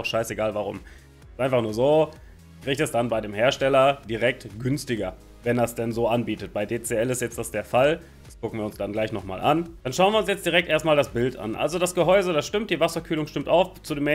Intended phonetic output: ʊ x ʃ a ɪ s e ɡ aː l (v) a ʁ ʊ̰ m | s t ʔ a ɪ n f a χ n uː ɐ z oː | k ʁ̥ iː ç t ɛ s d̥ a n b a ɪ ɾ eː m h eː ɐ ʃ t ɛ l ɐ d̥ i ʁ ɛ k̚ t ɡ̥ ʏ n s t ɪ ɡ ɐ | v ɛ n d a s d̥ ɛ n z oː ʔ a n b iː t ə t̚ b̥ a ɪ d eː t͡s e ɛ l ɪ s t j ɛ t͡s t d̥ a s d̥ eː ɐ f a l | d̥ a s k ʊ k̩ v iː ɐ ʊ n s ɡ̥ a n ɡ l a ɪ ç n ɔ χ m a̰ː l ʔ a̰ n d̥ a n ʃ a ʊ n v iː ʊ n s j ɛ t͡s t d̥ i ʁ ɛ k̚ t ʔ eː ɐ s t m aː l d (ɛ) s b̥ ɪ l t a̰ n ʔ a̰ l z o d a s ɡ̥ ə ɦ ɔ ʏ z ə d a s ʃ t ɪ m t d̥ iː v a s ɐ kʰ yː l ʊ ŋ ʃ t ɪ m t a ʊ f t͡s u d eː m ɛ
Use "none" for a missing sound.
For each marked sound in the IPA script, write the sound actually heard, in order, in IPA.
v, a

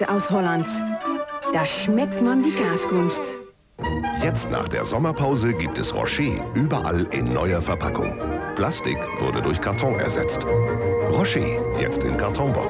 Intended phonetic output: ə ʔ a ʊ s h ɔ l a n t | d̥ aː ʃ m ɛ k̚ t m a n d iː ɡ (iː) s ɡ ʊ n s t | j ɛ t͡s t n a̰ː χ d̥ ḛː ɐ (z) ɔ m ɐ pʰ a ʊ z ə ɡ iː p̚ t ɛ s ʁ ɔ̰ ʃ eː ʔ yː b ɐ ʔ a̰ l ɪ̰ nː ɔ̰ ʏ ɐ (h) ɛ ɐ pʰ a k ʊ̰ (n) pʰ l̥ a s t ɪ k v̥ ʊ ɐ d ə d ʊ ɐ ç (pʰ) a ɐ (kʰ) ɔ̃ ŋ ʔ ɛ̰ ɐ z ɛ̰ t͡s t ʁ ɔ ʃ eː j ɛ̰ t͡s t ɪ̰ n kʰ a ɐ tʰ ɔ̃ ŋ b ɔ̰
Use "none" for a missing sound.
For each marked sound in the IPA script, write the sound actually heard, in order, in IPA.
aː, z, f, ŋ, kʰ, tʰ

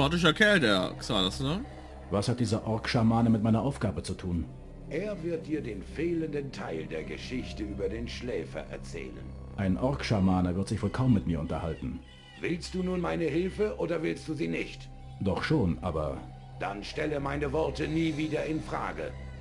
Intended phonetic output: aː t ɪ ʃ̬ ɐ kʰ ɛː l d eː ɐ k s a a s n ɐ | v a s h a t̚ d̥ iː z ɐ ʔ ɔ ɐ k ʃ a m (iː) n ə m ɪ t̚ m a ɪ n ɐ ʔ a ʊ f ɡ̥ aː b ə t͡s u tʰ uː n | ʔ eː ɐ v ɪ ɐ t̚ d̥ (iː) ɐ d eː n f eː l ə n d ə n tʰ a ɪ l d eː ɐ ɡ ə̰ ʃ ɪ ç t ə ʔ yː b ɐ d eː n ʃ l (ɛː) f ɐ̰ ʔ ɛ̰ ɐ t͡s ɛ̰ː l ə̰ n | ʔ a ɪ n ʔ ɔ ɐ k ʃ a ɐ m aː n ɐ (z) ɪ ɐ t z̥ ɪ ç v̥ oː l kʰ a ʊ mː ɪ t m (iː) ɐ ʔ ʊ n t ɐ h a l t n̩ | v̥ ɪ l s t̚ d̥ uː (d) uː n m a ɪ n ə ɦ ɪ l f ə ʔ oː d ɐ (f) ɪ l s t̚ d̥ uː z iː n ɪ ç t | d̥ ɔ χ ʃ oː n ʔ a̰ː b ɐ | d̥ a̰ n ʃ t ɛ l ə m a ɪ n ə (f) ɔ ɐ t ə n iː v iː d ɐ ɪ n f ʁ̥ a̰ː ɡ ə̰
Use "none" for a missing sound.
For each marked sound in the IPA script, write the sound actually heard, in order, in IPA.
aː, iː, ɛː, v, iː, n, v, v

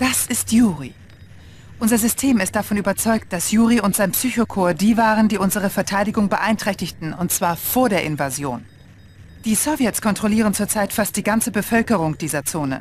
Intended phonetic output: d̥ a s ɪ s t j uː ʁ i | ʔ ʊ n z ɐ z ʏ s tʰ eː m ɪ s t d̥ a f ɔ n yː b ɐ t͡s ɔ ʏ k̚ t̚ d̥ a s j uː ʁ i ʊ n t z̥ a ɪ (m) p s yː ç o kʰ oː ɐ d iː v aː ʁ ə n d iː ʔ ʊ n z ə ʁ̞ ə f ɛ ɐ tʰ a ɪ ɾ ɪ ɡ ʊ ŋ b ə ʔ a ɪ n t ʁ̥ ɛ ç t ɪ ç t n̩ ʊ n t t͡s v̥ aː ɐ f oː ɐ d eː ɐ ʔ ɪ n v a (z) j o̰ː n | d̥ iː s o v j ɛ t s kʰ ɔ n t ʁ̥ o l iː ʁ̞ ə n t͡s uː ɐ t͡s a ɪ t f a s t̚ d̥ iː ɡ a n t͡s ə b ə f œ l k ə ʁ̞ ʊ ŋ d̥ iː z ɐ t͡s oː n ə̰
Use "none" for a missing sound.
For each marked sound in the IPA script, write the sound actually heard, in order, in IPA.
n, z

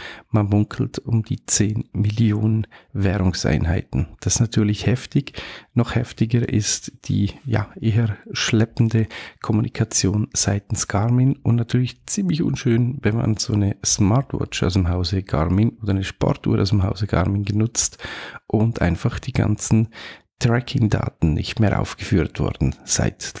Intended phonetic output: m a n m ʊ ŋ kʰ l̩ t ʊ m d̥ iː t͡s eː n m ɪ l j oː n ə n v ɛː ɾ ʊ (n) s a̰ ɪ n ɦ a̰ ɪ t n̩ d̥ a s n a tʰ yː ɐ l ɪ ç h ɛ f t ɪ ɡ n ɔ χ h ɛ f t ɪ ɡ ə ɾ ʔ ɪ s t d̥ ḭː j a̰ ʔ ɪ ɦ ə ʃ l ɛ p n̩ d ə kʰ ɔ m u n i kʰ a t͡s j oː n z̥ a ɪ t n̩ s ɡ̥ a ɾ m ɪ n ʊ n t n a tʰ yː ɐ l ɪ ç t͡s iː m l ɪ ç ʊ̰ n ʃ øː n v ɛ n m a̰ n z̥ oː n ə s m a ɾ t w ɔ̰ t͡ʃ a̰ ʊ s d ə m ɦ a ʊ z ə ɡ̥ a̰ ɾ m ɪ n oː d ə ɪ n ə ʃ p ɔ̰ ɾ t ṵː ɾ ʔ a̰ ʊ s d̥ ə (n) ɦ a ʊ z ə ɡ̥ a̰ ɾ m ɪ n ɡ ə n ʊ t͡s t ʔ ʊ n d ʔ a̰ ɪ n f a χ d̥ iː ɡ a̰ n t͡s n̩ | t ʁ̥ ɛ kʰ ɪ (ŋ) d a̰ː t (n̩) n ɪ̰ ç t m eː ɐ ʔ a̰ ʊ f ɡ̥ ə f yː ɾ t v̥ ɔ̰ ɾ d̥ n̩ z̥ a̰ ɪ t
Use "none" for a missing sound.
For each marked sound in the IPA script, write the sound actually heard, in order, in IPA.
ŋ, m, ŋ, n̩

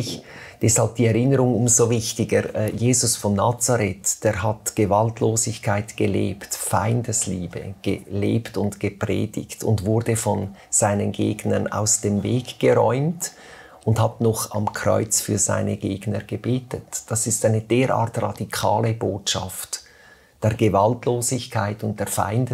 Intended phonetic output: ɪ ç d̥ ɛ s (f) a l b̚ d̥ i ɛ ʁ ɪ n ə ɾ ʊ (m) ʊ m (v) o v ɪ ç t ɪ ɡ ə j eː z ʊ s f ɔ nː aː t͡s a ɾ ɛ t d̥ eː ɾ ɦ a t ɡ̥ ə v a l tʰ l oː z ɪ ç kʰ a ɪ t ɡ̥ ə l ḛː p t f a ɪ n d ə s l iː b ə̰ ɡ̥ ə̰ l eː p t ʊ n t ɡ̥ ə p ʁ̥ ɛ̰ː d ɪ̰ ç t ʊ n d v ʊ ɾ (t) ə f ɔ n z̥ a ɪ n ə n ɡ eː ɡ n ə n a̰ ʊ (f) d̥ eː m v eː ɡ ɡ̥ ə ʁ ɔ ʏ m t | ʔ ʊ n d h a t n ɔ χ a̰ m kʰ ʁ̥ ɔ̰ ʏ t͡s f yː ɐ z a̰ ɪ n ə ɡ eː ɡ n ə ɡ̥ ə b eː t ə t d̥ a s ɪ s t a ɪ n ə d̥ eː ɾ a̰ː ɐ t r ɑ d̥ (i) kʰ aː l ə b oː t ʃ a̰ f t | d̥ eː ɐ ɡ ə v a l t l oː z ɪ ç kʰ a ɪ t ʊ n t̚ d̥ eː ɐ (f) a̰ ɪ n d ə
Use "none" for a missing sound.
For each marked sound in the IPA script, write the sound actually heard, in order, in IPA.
h, ŋ, z, d, s, i, f

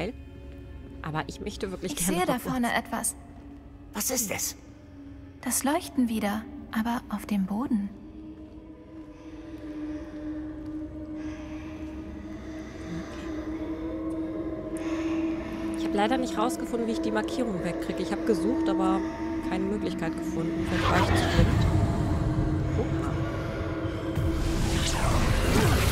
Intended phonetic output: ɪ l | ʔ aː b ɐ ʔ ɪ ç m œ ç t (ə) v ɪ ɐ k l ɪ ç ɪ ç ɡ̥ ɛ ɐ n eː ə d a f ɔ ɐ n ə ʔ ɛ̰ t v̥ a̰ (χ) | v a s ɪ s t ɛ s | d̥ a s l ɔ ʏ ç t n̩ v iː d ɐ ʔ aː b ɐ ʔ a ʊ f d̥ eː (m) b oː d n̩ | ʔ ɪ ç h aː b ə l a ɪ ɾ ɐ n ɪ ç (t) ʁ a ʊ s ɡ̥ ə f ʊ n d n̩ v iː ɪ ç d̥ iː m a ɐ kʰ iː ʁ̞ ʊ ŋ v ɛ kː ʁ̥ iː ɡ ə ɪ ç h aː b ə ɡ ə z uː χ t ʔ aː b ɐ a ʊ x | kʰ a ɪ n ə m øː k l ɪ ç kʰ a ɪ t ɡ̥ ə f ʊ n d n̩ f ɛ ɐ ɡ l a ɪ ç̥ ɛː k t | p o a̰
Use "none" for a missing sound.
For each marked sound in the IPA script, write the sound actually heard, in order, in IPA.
ə, s, m, t

